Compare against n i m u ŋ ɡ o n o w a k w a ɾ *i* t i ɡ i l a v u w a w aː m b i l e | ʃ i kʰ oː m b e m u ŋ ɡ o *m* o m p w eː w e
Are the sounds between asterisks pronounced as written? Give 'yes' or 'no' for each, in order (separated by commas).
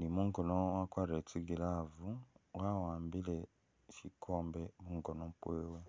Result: no, no